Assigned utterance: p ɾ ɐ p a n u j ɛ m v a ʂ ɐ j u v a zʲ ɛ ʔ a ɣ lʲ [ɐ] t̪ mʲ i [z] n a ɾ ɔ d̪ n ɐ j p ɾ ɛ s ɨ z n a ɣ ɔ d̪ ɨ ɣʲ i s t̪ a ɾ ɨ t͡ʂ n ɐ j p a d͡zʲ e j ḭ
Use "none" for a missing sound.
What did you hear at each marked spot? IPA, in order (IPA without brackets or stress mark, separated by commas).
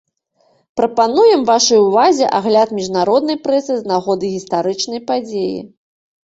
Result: a, ʐ